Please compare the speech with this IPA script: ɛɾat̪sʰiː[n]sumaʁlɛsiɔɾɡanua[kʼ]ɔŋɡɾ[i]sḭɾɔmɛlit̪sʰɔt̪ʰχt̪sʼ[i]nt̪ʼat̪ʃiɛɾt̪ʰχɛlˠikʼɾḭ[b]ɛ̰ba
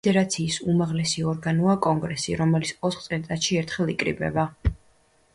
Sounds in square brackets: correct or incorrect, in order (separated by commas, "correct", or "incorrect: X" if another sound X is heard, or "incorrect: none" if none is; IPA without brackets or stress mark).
incorrect: none, correct, incorrect: ɛ, incorrect: ɛ, correct